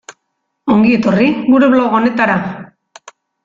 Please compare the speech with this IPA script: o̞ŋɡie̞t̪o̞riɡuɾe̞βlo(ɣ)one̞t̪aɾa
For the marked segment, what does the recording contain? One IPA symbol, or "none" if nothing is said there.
ɣ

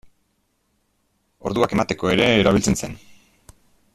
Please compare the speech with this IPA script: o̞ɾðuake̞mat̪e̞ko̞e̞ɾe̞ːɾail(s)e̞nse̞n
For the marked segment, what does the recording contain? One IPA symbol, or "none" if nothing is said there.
t͡s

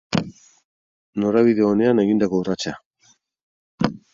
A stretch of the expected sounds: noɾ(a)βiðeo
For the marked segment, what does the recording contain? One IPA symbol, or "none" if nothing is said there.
a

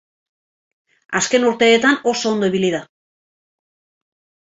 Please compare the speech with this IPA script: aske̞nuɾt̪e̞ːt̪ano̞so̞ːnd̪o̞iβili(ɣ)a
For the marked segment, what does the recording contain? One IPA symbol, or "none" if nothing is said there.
ð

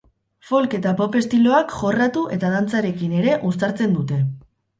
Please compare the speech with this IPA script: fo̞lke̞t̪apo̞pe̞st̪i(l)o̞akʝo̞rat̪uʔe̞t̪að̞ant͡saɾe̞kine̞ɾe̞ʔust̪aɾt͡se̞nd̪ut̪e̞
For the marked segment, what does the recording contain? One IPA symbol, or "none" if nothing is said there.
l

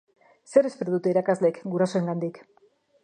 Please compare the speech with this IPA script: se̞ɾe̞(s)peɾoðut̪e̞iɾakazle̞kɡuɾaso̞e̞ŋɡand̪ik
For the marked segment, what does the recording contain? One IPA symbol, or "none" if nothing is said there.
s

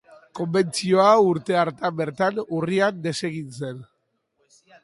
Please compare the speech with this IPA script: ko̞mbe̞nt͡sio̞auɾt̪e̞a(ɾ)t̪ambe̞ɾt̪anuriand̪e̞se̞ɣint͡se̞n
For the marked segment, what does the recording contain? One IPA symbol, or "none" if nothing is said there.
ɾ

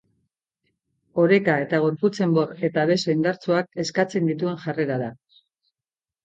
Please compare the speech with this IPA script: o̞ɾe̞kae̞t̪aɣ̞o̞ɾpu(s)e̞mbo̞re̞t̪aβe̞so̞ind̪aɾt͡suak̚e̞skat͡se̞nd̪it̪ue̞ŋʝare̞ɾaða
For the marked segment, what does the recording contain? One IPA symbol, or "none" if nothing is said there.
t͡s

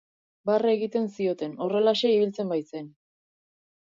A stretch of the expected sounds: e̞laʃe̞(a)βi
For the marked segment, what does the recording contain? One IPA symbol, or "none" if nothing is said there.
i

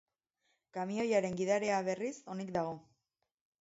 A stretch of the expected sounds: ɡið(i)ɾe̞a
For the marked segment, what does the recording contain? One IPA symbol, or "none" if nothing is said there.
a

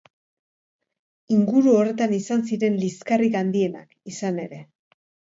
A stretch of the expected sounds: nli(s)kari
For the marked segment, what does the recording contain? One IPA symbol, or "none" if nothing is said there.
s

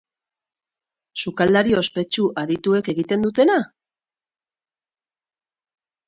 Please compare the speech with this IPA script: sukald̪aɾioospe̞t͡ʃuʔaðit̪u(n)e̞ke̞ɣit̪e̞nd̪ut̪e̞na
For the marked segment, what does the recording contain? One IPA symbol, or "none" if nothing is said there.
none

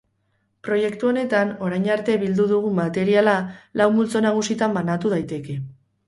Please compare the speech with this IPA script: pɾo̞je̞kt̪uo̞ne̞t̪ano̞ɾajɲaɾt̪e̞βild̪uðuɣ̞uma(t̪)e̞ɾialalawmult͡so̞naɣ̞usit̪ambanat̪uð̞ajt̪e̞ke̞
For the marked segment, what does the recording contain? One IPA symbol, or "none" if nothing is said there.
t̪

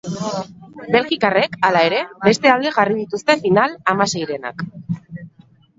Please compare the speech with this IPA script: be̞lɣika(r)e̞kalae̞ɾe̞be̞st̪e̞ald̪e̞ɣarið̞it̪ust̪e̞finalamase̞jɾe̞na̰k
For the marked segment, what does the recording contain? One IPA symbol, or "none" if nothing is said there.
r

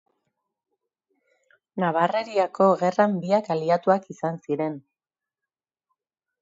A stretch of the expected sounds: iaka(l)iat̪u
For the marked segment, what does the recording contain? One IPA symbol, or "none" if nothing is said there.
l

